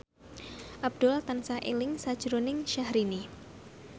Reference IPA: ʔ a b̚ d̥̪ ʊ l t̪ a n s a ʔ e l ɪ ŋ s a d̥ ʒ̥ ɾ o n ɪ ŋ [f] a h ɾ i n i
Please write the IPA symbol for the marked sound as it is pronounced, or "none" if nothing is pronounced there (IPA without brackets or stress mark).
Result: ʃ